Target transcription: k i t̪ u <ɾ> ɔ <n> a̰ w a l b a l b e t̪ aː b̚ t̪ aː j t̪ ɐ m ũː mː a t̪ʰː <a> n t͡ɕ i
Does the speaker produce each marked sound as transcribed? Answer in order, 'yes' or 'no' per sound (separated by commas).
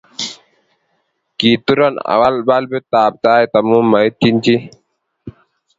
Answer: yes, yes, no